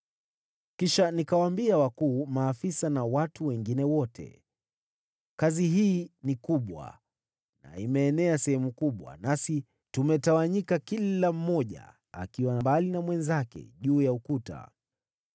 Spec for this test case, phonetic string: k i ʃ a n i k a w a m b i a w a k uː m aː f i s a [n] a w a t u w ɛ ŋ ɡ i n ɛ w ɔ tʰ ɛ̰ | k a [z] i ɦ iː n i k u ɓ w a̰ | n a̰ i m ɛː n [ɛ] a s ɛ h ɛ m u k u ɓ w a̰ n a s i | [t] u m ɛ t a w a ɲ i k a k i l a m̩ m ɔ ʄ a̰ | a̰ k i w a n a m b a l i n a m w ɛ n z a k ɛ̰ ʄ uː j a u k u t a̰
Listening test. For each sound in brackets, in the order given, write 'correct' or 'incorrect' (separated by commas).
correct, correct, correct, correct